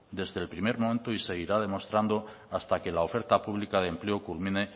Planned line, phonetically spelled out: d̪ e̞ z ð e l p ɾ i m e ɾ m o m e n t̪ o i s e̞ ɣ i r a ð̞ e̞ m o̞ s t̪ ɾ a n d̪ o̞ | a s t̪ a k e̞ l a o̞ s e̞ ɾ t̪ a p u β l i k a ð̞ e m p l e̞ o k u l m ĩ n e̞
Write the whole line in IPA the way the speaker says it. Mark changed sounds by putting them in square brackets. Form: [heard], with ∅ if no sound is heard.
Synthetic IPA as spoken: d̪ e̞ z ð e l p ɾ i m e ɾ m o m e n t̪ o i s e̞ ɣ i [ɾ] a ð̞ e̞ m o̞ s t̪ ɾ a n d̪ o̞ | a s t̪ a k e̞ l a o̞ [f] e̞ ɾ t̪ a p u β l i k a ð̞ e m p l e̞ o k u l m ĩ n e̞